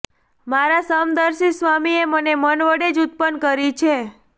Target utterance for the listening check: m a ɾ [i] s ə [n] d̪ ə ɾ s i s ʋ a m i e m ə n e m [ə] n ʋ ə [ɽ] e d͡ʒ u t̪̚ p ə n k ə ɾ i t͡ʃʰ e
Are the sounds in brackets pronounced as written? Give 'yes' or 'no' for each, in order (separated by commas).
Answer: no, no, yes, yes